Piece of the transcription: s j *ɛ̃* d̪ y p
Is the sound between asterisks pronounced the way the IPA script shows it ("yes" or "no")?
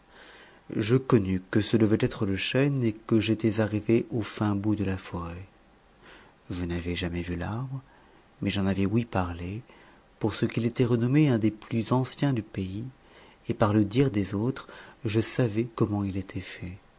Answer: yes